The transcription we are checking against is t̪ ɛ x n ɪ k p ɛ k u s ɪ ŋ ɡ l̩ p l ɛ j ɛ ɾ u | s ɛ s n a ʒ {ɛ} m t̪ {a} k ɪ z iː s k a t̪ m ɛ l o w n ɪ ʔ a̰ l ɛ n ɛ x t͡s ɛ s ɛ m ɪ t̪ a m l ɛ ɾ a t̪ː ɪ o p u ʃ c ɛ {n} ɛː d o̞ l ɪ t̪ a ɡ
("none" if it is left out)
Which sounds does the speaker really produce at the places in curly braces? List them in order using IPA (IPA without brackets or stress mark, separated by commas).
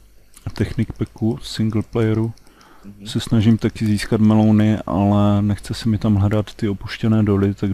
i, a, n